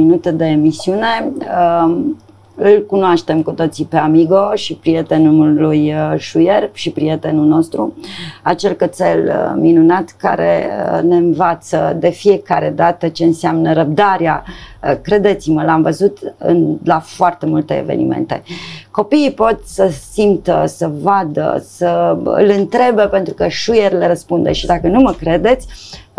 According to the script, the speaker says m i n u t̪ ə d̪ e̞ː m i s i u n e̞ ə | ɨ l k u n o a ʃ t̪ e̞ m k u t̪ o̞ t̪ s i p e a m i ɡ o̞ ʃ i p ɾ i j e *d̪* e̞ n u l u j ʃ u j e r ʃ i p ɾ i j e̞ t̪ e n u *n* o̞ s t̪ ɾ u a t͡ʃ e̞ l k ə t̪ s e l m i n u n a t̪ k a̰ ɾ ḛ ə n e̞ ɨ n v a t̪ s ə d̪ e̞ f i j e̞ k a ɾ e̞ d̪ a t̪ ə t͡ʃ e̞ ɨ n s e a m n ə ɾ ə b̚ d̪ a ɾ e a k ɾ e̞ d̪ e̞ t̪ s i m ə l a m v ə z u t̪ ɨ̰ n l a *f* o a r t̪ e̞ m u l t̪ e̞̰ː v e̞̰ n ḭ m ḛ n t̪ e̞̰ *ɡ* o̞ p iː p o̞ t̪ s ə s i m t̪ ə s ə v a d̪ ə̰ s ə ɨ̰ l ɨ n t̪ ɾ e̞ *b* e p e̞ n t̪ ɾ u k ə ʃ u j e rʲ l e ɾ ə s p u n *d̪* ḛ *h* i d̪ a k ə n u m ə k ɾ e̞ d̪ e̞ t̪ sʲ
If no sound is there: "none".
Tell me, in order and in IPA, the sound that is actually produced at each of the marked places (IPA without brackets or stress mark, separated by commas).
t̪, n, f, k, b, d̪, ʃ